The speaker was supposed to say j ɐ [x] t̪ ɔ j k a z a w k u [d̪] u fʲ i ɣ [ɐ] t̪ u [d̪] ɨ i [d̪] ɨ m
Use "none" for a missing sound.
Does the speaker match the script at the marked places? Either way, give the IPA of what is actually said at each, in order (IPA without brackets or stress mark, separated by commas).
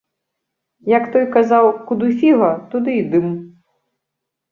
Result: k, d̪, ɐ, d̪, d̪